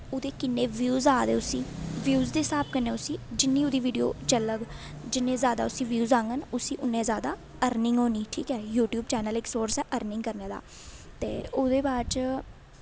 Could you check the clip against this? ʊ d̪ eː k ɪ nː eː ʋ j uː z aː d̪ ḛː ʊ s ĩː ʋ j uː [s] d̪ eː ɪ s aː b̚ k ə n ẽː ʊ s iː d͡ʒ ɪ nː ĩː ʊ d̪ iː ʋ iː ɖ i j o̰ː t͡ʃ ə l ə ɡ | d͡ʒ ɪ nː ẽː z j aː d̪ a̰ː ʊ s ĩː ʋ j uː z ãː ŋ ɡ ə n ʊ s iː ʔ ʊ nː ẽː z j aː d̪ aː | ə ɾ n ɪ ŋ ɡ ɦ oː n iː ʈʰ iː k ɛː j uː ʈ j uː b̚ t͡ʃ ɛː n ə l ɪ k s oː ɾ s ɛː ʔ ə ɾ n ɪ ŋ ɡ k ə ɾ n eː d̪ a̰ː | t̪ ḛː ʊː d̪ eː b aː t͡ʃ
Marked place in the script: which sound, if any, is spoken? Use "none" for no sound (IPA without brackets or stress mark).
z